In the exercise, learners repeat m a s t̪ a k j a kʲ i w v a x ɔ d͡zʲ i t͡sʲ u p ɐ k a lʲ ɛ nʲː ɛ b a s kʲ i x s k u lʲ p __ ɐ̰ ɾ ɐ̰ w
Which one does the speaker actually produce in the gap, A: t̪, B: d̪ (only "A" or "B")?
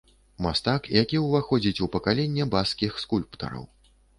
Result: A